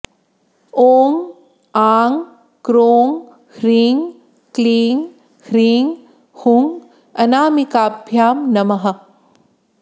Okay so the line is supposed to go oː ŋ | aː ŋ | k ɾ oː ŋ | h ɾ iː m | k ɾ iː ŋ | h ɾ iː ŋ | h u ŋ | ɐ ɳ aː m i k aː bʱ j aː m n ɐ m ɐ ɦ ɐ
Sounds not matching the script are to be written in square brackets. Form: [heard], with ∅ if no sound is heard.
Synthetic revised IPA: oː ŋ | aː ŋ | k ɾ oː ŋ | h ɾ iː [ŋ] | k [l] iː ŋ | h ɾ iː ŋ | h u ŋ | ɐ [n] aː m i k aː bʱ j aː m n ɐ m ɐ ɦ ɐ